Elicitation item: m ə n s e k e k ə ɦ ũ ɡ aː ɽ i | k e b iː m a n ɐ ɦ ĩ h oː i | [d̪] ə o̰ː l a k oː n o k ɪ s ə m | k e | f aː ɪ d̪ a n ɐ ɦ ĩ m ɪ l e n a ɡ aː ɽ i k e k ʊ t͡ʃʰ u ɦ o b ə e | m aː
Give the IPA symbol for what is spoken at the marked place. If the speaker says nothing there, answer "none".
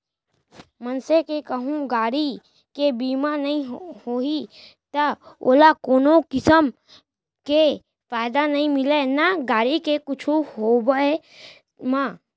t̪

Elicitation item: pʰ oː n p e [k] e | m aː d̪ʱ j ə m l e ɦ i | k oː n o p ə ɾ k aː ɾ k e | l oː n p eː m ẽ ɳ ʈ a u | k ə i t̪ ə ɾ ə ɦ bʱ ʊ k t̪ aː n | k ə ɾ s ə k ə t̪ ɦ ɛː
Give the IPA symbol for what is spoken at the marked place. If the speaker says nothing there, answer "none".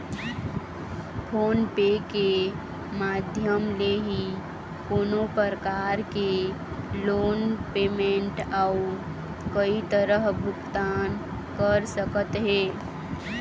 k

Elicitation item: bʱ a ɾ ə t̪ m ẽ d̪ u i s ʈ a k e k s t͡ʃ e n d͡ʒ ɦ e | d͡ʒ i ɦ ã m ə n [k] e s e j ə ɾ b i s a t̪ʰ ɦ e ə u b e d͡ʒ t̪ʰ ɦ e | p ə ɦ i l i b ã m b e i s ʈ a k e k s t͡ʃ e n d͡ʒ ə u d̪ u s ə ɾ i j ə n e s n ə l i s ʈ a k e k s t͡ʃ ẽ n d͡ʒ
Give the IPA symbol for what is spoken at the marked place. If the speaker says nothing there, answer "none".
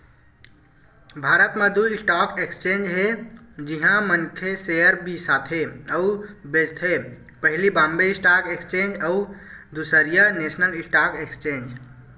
kʰ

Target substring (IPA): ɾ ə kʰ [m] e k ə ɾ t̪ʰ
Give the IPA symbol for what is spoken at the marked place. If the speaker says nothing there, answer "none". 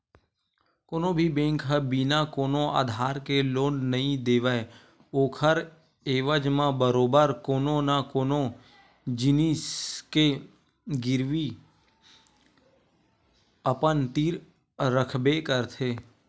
b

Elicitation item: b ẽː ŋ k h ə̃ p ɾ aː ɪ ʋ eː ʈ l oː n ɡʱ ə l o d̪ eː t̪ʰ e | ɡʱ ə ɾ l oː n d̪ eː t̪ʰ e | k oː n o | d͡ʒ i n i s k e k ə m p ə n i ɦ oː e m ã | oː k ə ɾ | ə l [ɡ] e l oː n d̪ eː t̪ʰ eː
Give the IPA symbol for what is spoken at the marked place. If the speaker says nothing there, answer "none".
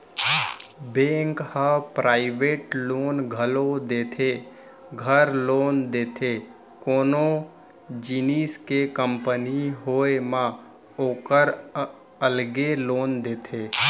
ɡ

